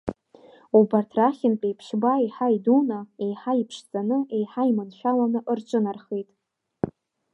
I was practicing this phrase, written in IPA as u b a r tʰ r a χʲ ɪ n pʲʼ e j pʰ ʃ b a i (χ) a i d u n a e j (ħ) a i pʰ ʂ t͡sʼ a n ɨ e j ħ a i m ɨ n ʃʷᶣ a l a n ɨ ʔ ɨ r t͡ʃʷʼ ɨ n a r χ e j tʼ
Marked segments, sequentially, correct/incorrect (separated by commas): incorrect, correct